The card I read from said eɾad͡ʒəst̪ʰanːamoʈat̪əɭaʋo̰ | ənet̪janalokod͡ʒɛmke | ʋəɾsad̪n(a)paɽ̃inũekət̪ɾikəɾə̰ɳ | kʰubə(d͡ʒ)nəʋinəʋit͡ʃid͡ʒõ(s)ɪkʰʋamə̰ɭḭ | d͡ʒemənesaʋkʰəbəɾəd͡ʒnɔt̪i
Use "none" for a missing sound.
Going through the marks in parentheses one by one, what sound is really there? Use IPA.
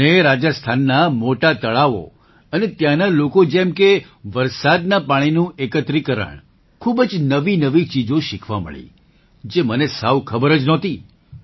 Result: a, d͡ʒ, ʃ

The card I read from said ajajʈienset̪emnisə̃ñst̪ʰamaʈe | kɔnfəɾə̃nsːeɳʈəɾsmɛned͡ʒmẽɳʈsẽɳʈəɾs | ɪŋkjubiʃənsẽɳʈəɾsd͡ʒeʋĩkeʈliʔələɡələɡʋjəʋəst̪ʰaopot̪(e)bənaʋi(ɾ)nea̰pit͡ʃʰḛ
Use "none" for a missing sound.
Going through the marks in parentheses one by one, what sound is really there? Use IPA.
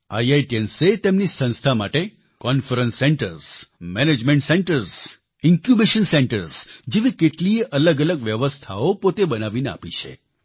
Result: e, none

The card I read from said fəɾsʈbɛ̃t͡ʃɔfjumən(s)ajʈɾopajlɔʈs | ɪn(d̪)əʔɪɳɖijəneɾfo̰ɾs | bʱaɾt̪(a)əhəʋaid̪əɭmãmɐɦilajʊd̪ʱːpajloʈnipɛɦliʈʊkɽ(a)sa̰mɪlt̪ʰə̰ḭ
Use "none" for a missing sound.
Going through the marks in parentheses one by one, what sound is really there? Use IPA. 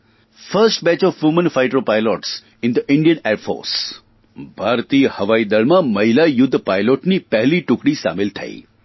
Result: f, d̪, i, i

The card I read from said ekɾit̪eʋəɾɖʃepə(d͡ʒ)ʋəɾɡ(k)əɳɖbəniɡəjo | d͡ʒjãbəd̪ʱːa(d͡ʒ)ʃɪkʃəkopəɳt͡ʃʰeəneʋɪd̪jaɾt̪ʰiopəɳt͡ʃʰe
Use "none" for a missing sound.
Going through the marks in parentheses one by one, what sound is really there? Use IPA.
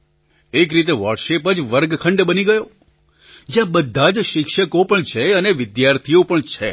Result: d͡ʒ, kʰ, d͡ʒ

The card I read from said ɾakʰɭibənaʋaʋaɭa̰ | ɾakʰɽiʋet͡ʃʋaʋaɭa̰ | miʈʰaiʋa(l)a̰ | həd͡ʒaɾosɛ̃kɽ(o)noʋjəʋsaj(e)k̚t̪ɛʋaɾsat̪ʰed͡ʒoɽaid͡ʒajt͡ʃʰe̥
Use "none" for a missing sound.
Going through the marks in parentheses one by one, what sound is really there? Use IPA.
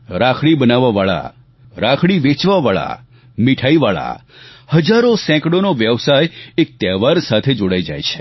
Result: ɭ, o, e

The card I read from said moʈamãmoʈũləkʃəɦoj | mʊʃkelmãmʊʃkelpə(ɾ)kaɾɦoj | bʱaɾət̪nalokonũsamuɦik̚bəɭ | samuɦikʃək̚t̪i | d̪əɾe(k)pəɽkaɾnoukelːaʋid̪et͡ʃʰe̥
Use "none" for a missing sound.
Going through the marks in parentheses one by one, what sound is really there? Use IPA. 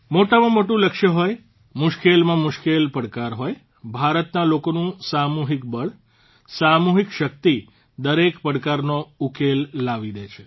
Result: ɽ, k

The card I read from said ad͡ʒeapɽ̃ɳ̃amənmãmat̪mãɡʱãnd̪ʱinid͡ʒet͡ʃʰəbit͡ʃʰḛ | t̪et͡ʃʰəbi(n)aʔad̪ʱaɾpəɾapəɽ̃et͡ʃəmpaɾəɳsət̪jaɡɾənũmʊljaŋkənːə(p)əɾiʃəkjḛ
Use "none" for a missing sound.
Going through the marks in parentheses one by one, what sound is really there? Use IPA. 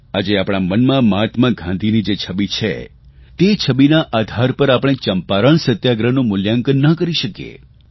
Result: n, k

